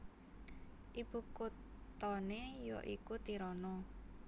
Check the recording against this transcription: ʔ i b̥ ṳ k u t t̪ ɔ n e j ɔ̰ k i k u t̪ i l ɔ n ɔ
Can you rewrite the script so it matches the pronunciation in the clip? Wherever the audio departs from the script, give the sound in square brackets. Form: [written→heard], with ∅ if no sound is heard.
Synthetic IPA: ʔ i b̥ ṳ k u t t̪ ɔ n e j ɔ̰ [k→ʔ] i k u t̪ i [l→ɾ] ɔ n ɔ